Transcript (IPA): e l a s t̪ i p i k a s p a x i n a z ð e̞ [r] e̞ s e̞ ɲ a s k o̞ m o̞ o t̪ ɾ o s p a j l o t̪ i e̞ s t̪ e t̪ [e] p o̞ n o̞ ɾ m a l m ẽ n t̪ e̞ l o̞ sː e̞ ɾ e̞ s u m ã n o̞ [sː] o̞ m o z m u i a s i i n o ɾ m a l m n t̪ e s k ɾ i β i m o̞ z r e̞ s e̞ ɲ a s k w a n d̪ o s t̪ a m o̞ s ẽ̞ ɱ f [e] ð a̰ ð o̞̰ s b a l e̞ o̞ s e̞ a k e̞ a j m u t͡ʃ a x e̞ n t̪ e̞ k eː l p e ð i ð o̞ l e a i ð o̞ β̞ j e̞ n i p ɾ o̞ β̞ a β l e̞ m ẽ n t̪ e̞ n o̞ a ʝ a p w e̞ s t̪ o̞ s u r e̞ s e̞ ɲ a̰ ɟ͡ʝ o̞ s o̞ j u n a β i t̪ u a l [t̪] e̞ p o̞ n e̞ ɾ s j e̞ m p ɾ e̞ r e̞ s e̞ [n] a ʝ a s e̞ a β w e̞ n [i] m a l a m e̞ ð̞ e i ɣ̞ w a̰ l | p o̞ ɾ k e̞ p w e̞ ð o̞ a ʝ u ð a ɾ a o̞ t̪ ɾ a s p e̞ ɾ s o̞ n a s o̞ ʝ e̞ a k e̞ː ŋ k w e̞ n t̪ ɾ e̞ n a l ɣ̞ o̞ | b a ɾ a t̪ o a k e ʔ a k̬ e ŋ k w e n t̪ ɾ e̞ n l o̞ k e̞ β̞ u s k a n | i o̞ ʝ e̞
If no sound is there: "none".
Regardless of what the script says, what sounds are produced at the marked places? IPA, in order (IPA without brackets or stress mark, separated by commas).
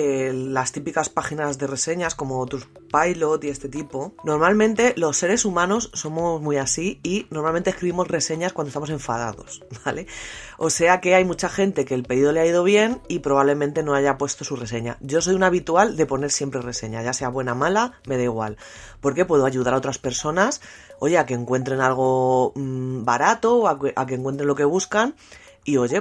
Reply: r, i, sː, a, d̪, ɲ, a